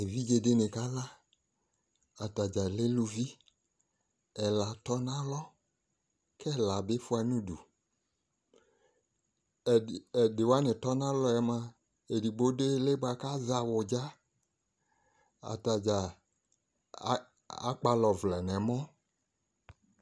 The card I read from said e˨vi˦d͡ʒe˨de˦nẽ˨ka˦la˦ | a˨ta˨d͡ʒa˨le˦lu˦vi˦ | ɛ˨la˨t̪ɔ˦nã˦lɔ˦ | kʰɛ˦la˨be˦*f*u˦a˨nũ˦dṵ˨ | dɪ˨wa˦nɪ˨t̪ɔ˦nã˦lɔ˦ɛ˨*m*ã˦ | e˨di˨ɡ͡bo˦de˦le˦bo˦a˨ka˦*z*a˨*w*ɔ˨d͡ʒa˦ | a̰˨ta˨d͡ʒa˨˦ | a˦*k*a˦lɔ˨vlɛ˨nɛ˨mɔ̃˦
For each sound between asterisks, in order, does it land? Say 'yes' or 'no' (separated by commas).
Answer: yes, yes, yes, yes, no